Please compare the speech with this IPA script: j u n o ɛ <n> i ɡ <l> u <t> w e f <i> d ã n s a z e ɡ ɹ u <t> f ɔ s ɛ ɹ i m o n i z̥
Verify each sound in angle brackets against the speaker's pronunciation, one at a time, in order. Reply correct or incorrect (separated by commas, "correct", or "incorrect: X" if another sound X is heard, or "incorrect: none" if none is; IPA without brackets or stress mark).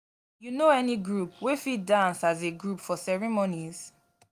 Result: correct, incorrect: ɹ, incorrect: p, correct, incorrect: p